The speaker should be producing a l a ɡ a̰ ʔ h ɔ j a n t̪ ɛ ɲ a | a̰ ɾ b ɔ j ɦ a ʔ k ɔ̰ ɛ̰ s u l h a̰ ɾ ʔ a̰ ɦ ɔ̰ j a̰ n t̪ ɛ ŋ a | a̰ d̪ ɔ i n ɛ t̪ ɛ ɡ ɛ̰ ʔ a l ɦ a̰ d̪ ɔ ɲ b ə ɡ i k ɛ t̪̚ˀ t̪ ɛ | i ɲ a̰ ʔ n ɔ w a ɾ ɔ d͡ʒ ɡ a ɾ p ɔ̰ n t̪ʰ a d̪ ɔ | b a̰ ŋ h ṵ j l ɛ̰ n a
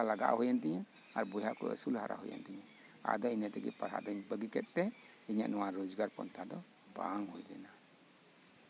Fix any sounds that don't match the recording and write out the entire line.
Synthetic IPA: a l a ɡ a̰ ʔ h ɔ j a n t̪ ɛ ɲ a | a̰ ɾ b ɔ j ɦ a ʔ k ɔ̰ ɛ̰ s u l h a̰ ɾ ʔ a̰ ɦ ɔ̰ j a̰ n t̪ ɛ ɲ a | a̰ d̪ ɔ i n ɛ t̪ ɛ ɡ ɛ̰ p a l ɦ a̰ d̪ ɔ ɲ b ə ɡ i k ɛ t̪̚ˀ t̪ ɛ | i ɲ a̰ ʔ n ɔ w a ɾ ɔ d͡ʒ ɡ a ɾ p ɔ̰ n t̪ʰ a d̪ ɔ | b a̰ ŋ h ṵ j l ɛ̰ n a